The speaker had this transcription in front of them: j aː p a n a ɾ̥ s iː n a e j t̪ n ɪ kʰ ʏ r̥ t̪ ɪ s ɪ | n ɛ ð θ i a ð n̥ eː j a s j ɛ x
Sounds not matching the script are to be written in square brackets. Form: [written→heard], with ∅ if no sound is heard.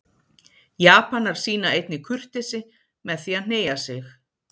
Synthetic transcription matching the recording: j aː p a n a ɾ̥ s iː n a e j t̪ n ɪ kʰ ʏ r̥ t̪ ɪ s ɪ | [n→m] ɛ ð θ i a ð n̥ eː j a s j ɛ x